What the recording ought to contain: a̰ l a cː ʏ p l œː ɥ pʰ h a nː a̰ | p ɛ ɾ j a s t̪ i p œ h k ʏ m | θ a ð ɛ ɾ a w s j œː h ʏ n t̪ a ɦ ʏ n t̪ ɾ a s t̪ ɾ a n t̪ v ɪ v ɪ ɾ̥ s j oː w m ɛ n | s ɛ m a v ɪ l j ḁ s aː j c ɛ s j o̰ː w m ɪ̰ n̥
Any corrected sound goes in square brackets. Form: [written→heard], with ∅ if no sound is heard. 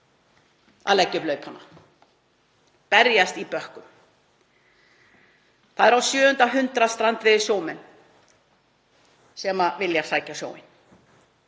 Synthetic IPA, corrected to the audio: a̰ l [a→ɛ] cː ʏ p l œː ɥ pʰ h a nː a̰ | p ɛ ɾ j a s t̪ i p œ h k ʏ m | θ a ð ɛ ɾ a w s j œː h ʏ n t̪ a ɦ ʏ n t̪ ɾ a s t̪ ɾ a n t̪ v ɪ [v→ð] ɪ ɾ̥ s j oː w m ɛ n | s ɛ m a v ɪ l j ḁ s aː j c [ɛ→a] s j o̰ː w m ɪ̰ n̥

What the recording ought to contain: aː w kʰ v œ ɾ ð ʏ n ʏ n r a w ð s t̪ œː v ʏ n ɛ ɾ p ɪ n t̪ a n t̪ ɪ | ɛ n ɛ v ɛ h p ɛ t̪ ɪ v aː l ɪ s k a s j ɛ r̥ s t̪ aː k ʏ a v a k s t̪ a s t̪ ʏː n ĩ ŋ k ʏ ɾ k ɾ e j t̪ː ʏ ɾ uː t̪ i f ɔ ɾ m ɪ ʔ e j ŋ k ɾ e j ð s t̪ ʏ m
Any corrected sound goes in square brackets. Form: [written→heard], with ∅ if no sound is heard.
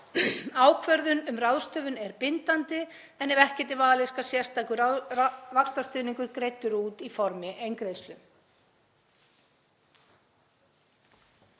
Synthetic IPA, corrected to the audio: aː w kʰ v œ ɾ ð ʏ n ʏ [n→m] r a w ð s t̪ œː v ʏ n ɛ ɾ p ɪ n t̪ a n t̪ ɪ | ɛ n ɛ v ɛ h [p→c] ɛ t̪ ɪ v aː l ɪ s k a s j ɛ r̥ s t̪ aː k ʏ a v a k s t̪ a s t̪ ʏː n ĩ ŋ k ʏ ɾ k ɾ e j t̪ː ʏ ɾ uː t̪ i f ɔ ɾ m ɪ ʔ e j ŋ k ɾ e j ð s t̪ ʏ m

